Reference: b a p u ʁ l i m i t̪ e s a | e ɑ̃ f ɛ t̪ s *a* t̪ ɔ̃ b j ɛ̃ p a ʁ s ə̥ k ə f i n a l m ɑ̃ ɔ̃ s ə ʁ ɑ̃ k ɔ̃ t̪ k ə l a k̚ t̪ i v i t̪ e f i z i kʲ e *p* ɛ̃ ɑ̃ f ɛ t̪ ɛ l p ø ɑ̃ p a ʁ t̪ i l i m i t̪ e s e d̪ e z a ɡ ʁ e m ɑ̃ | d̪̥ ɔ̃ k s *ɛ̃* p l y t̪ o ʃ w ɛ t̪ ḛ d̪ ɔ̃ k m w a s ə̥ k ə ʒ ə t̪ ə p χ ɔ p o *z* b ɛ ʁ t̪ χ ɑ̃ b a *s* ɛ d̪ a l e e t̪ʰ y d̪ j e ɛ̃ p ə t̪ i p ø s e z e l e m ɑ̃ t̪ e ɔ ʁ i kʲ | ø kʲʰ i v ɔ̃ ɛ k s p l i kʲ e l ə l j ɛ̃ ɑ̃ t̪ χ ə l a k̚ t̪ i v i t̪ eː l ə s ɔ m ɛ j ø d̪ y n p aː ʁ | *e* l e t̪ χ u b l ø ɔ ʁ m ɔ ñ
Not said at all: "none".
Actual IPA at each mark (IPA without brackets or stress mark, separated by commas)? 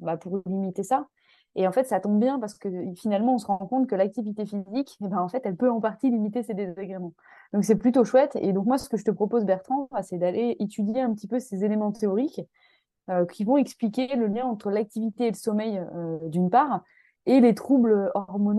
a, b, ɛ, z, s, e